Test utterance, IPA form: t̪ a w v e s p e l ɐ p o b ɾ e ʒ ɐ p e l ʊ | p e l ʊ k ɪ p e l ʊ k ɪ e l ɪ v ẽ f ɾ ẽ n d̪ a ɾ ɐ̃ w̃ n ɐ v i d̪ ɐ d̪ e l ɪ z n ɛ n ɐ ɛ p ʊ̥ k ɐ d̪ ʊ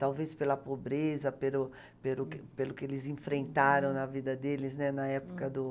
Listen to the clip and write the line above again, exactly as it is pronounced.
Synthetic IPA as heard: t̪ a w v e s p e l ɐ p o b ɾ e z ɐ p e l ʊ | p e l ʊ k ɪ p e l ʊ k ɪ e l ɪ z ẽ f ɾ ẽ n t̪ a ɾ ɐ̃ w̃ n ɐ v i d̪ ɐ d̪ e l ɪ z n ɛ n ɐ ɛ p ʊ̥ k ɐ d̪ ʊ